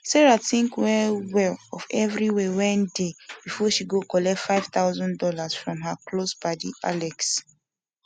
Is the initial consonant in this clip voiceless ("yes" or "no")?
yes